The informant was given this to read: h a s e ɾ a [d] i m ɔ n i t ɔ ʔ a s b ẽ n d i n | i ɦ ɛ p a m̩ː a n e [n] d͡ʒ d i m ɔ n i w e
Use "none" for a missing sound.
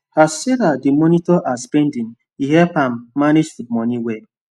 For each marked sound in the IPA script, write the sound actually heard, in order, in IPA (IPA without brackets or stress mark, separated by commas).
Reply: d, none